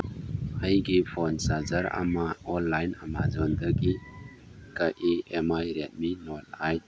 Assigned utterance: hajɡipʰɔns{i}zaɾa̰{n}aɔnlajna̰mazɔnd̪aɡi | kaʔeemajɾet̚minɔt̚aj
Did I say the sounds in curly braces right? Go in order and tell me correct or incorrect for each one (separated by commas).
incorrect, incorrect